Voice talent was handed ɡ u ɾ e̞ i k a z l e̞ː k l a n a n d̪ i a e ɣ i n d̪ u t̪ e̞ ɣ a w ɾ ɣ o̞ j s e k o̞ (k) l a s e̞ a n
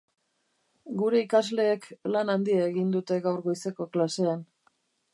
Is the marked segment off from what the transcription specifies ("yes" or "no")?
no